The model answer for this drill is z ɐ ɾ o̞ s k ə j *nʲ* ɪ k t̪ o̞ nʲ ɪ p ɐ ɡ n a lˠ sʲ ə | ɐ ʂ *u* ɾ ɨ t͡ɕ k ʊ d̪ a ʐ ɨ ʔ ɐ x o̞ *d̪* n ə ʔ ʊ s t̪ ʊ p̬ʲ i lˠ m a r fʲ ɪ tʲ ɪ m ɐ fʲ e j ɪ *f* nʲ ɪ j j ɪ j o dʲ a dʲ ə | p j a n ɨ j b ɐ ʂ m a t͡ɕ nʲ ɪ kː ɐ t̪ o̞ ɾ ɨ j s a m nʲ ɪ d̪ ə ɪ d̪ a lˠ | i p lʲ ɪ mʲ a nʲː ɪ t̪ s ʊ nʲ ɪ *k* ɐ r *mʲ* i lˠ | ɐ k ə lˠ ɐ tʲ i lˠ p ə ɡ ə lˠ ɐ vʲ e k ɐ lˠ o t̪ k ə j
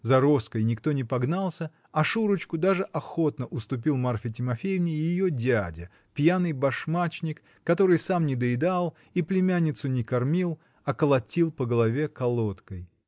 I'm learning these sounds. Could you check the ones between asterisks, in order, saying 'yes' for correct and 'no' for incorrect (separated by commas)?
yes, yes, no, no, yes, yes